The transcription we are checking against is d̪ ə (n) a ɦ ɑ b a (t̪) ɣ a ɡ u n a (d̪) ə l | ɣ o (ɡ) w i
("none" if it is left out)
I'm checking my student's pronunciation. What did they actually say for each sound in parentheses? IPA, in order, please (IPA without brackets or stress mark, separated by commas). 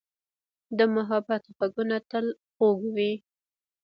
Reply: m, t̪, t̪, ɡ